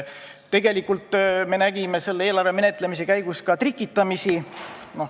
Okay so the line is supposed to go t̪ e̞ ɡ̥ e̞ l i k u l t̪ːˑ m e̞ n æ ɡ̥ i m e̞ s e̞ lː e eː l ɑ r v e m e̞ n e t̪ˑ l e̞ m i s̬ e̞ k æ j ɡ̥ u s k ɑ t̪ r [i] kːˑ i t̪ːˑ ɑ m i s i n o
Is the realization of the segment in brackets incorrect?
no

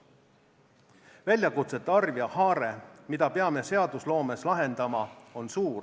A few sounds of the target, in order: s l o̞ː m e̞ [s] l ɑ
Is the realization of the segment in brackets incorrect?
no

